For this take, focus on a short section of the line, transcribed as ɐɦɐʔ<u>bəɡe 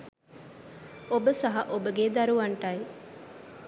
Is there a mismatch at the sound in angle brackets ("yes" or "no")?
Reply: yes